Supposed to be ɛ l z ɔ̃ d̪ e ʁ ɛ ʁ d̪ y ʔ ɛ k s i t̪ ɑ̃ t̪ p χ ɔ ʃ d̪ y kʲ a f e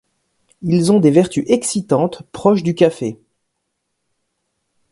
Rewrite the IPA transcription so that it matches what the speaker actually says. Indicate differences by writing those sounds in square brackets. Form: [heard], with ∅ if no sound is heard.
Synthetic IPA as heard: [i] l z ɔ̃ d̪ e [v] ɛ ʁ [t̪] y ʔ ɛ k s i t̪ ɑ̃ t̪ p χ ɔ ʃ d̪ y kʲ a f e